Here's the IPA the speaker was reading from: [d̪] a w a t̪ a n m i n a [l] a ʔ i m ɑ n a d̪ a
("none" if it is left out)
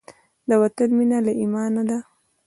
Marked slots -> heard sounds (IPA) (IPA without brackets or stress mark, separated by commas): d̪, l